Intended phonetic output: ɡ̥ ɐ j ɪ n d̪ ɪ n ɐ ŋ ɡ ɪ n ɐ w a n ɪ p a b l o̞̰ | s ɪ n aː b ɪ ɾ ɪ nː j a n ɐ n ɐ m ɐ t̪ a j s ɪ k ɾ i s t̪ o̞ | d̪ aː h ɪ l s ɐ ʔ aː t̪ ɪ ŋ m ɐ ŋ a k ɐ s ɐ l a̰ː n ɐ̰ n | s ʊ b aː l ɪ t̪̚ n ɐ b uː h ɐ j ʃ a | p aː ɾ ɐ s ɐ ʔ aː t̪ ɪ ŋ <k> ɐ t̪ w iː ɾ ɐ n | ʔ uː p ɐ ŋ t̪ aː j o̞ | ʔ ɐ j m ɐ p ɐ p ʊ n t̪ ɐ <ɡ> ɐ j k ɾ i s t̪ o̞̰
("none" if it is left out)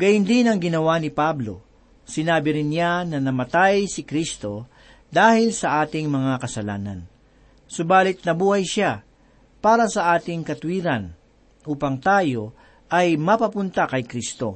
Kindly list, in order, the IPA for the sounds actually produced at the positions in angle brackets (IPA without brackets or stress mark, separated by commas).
k, k